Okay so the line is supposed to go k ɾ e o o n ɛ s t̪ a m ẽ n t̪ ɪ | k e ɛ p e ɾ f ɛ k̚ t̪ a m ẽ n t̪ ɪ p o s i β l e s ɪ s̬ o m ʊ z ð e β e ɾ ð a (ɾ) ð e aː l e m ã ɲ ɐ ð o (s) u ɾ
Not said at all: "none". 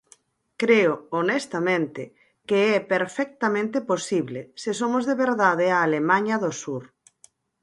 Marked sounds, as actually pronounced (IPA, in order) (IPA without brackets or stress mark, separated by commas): none, s